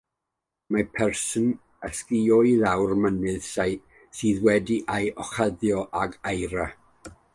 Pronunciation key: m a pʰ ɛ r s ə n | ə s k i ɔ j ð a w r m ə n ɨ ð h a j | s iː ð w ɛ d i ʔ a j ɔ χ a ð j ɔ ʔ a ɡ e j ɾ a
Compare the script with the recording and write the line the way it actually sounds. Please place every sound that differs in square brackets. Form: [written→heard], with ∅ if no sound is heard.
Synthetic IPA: m a pʰ ɛ r s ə n | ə s k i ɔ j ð a w r m ə n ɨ ð [h→s] a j | s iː ð w ɛ d i ʔ a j ɔ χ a ð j ɔ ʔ a ɡ [e→a] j ɾ a

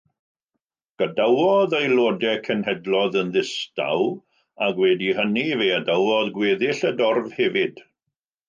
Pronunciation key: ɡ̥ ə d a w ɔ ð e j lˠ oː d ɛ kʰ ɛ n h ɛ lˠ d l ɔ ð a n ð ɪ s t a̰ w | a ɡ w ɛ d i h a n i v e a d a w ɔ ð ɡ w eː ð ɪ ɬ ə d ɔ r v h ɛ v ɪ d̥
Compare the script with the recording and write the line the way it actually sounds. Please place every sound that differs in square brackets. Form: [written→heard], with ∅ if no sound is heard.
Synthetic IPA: ɡ̥ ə d a w ɔ ð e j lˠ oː d ɛ kʰ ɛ n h ɛ [lˠ→∅] d l ɔ ð [a→ə] n ð ɪ s t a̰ w | a ɡ w ɛ d i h [a→ə] n i v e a d a w ɔ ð ɡ w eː ð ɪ ɬ ə d ɔ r v h ɛ v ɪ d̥

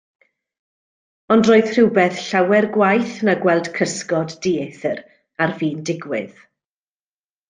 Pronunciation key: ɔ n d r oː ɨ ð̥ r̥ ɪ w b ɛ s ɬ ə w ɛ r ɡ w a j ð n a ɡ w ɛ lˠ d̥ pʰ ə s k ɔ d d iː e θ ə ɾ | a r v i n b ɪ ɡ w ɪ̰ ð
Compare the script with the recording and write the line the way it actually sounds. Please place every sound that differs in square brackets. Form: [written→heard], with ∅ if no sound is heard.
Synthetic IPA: ɔ n d r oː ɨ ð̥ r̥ ɪ w b ɛ [s→θ] ɬ [ə→a] w ɛ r ɡ w a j [ð→θ] n a ɡ w ɛ lˠ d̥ [pʰ→kʰ] ə s k ɔ d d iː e θ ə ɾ | a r v [i→iː] n [b→d] ɪ ɡ w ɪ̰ ð

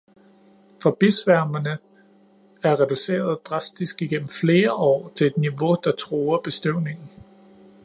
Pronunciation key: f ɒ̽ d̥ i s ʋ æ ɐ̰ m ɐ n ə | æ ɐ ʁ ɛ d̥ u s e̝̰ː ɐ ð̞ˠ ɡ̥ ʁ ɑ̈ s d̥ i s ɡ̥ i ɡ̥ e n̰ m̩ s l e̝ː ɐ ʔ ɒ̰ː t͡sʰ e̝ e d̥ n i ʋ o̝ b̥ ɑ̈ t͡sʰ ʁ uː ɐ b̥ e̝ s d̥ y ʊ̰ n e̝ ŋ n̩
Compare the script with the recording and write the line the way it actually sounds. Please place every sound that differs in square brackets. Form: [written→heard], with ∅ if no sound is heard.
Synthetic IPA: f ɒ̽ [d̥→b̥] i s ʋ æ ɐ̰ m ɐ n ə | æ ɐ ʁ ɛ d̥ u s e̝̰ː ɐ ð̞ˠ [ɡ̥→d̥] ʁ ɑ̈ s d̥ i s ɡ̥ i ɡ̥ e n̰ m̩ [s→f] l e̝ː ɐ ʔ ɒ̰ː t͡sʰ e̝ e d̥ n i ʋ o̝ [b̥→d̥] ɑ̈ t͡sʰ ʁ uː ɐ b̥ e̝ s d̥ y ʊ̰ n e̝ ŋ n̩

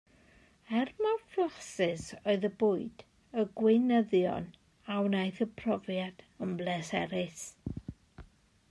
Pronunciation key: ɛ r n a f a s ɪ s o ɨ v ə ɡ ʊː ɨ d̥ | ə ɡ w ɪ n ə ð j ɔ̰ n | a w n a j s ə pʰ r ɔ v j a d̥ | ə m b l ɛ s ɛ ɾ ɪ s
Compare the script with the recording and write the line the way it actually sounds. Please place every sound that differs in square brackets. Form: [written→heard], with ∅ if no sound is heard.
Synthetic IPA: ɛ r [n→m] a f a s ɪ s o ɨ [v→ð] ə [ɡ→b] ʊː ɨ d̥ | ə ɡ w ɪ n ə ð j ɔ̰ n | a w n a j [s→θ] ə pʰ r ɔ v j a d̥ | ə m b l ɛ s ɛ ɾ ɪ s

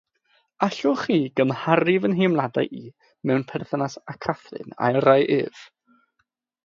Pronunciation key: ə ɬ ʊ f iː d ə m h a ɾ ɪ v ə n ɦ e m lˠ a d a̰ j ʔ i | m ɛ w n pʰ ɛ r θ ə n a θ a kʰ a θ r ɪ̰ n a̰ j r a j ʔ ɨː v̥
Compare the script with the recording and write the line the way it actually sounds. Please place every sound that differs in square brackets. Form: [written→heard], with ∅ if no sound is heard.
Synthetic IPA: [ə→a] ɬ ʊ [f→χ] iː [d→ɡ] ə m h a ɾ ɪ v ə n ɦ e m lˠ a d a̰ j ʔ i | m ɛ w n pʰ ɛ r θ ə n a [θ→s] a kʰ a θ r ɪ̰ n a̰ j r a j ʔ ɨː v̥

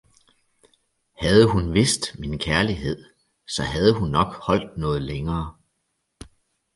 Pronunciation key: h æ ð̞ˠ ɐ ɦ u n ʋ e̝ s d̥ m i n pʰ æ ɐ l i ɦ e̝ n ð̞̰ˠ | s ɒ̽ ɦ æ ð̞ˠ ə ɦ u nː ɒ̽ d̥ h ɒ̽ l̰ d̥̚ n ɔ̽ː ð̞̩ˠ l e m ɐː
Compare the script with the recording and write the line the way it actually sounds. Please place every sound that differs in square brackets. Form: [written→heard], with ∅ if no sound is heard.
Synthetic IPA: h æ ð̞ˠ [ɐ→ə] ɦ u n ʋ e̝ s d̥ m i n [pʰ→kʰ] æ ɐ l i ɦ e̝ [n→∅] ð̞̰ˠ | s ɒ̽ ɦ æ ð̞ˠ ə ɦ u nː ɒ̽ [d̥→ɡ̥] h ɒ̽ l̰ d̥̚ n ɔ̽ː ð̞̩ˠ l e [m→ŋ] ɐː

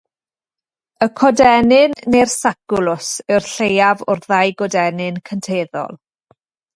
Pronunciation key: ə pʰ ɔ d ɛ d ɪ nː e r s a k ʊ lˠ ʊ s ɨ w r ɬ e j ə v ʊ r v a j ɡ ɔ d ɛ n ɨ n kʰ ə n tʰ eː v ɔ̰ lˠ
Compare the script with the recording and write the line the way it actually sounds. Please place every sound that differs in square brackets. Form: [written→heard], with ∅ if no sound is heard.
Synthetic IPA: ə [pʰ→kʰ] ɔ d ɛ [d→n] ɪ nː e r s a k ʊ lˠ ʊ s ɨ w r ɬ e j [ə→a] v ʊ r [v→ð] a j ɡ ɔ d ɛ n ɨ n kʰ ə n tʰ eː [v→ð] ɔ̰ lˠ

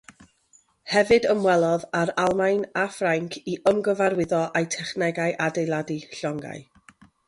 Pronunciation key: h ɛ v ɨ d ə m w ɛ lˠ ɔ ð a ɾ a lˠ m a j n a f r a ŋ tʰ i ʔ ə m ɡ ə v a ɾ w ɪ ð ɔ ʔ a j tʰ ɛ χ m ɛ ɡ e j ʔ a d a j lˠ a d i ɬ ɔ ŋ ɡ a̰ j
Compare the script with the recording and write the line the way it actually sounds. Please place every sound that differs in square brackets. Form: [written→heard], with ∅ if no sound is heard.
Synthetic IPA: h ɛ v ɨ d ə m w ɛ lˠ ɔ ð a ɾ a lˠ m a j n a f r a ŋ [tʰ→kʰ] i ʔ ə m ɡ ə v a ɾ w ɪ ð ɔ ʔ a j tʰ ɛ χ [m→n] ɛ ɡ [e→a] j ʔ a d [a→e] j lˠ a d i ɬ ɔ ŋ ɡ a̰ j

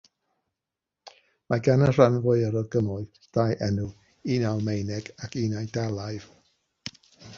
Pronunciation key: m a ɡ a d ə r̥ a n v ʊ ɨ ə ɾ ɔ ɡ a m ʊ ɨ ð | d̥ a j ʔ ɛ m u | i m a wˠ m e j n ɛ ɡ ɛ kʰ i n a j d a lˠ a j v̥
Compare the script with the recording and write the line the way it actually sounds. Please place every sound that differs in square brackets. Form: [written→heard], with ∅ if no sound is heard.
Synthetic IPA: m a ɡ a [d→n] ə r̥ a n v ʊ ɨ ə ɾ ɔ ɡ [a→ə] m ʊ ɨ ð | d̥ a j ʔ ɛ [m→n] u | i [m→n] a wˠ m e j n ɛ ɡ [ɛ→a] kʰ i n a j d a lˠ a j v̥

